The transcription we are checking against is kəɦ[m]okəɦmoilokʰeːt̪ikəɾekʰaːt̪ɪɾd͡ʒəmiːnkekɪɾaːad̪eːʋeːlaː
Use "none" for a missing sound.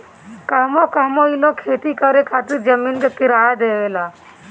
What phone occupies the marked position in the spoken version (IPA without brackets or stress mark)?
m